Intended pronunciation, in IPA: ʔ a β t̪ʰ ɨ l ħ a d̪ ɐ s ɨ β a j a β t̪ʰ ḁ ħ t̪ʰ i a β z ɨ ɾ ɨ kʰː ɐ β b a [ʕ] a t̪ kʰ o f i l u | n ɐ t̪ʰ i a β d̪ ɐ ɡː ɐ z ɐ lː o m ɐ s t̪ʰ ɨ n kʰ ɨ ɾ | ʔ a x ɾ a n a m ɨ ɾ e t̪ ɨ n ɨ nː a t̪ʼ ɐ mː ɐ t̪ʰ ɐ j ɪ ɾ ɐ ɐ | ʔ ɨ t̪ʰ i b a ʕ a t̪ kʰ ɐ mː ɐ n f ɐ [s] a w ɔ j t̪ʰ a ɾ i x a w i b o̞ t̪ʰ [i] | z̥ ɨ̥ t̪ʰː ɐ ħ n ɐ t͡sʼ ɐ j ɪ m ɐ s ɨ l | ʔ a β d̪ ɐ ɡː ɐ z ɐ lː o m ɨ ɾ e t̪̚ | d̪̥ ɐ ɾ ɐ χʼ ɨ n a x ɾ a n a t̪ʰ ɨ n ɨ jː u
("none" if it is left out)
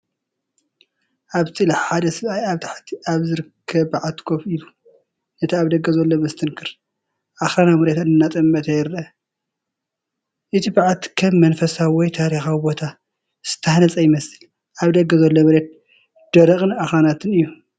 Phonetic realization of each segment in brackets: ʕ, s, a

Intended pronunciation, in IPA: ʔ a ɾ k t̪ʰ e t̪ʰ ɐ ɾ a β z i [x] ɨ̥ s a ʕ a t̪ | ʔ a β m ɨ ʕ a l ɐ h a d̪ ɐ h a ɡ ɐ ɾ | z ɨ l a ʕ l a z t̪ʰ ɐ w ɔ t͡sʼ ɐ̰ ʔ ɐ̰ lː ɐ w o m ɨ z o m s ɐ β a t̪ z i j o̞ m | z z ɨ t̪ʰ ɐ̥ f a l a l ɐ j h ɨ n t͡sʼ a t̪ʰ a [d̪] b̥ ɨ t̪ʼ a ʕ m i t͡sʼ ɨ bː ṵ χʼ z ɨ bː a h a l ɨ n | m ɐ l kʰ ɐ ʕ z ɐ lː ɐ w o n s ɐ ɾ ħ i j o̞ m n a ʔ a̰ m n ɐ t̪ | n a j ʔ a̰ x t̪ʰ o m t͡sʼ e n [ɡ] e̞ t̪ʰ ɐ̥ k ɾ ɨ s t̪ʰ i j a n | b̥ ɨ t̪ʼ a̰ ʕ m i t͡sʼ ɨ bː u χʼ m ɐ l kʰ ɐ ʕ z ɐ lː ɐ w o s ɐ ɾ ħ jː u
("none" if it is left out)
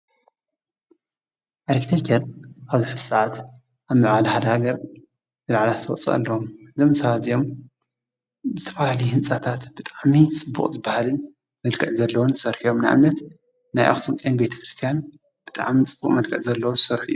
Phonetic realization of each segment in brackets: ħ, t̪, b

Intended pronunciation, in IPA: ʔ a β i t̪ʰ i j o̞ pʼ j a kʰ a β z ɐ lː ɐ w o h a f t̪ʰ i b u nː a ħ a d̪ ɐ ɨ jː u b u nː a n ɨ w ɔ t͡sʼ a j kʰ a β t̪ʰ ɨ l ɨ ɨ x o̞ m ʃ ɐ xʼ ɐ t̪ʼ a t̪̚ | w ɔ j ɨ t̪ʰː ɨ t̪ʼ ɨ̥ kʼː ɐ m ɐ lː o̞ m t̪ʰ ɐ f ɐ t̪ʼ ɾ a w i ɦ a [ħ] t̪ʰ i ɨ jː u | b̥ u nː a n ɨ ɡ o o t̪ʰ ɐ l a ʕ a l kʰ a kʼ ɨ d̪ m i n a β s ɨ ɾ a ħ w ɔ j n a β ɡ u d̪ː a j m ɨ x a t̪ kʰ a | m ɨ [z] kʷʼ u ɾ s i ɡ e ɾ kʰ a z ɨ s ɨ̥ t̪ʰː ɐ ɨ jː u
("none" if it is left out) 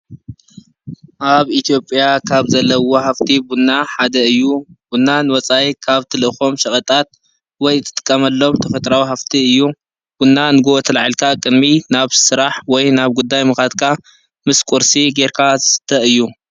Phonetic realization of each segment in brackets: f, s

